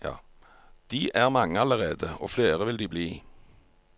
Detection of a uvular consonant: present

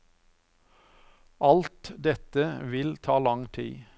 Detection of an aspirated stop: present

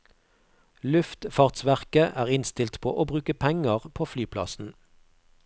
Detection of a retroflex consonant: absent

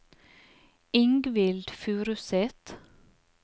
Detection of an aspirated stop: absent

